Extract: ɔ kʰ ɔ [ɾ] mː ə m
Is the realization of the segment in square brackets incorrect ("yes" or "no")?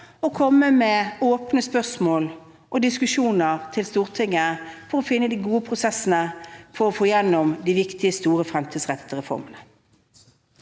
yes